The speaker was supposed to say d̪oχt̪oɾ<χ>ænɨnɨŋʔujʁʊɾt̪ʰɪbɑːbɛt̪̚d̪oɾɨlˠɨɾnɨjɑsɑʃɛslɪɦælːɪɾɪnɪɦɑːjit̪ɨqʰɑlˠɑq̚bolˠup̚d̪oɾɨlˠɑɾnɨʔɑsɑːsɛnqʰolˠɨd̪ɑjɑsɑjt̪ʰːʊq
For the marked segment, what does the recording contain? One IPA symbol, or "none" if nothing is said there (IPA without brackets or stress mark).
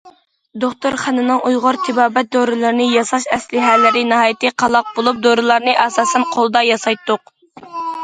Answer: χ